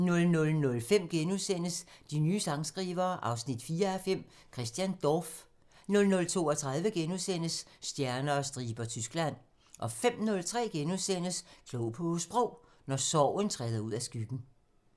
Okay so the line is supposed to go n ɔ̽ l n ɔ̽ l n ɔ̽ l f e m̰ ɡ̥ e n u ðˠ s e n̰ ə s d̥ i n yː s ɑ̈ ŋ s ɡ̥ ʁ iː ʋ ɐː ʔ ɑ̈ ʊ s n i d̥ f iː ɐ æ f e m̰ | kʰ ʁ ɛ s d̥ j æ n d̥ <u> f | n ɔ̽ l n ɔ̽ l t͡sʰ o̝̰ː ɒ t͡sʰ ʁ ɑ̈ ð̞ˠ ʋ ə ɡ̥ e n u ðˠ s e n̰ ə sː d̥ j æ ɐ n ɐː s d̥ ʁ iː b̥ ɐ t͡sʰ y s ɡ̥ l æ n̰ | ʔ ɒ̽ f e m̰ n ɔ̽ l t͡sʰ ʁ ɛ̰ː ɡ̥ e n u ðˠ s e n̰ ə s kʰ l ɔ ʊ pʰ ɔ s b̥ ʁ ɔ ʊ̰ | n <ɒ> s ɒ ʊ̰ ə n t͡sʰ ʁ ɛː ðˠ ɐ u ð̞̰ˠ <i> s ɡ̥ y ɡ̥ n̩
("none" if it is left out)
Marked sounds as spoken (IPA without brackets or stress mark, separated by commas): ɒ, ɒ, æ